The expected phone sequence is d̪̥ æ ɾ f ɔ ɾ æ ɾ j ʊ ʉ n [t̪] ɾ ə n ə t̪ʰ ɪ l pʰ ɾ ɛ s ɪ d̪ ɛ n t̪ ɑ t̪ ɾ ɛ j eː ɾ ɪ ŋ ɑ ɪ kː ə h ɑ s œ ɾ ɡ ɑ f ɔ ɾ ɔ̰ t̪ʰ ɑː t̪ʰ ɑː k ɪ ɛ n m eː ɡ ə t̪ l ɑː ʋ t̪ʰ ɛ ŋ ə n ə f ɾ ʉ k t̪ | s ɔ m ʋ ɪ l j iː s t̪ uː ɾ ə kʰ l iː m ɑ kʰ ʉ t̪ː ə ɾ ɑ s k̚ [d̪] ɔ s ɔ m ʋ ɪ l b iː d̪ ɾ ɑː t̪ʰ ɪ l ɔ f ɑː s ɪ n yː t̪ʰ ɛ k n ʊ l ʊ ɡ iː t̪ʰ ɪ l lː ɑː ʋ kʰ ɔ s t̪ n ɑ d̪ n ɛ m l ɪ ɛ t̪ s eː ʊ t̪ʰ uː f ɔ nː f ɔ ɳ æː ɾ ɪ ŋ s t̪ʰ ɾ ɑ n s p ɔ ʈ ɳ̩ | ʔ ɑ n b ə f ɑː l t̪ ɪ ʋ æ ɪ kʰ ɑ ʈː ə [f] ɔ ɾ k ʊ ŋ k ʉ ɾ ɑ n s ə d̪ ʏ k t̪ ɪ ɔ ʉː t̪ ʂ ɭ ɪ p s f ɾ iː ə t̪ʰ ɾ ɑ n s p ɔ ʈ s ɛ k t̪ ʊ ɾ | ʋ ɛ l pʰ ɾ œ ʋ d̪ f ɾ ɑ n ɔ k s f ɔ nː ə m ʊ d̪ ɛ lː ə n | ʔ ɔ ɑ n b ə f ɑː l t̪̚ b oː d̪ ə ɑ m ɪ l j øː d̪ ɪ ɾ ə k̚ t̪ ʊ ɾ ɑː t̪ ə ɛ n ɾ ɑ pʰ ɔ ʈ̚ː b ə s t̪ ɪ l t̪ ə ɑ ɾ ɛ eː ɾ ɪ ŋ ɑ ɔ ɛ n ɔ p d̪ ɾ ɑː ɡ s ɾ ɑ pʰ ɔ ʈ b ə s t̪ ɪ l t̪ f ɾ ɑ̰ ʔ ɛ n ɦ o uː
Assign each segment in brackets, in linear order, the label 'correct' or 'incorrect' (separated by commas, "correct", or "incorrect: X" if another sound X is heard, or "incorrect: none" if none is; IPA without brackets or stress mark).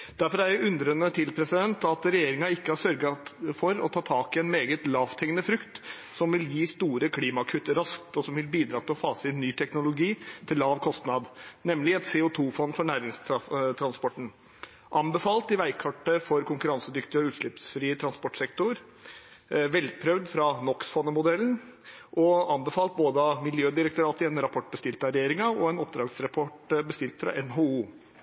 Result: incorrect: d̪, incorrect: t̪, correct